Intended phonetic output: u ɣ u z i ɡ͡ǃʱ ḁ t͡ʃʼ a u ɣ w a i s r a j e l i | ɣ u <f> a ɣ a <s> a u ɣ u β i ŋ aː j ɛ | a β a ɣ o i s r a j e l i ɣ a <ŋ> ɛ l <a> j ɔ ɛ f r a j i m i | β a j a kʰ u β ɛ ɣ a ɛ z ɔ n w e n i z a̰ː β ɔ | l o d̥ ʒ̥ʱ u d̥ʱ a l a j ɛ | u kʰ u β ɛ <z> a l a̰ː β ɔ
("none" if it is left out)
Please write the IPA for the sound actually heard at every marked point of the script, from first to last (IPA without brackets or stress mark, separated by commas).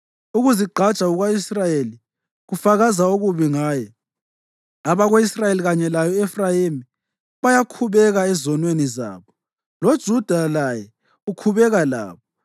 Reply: f, z, ɲ, a, ɣ